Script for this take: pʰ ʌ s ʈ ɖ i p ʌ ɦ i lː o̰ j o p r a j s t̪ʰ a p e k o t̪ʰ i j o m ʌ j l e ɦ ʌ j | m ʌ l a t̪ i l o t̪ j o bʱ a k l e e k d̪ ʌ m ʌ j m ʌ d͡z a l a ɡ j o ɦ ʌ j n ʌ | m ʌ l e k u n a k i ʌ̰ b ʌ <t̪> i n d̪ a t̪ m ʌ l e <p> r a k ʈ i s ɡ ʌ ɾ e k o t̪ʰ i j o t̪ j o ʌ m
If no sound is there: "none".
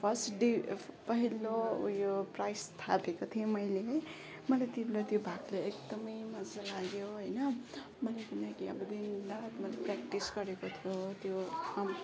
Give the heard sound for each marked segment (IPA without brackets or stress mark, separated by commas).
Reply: d̪, p